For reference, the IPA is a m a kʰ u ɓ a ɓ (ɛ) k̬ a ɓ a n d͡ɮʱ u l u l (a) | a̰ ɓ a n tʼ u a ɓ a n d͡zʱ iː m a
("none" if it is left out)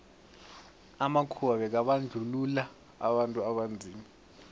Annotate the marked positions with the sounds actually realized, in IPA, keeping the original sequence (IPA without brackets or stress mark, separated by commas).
ɛ, a